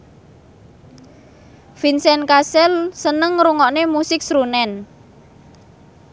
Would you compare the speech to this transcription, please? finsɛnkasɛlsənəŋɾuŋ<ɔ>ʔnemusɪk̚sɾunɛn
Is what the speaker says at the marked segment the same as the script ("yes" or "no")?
yes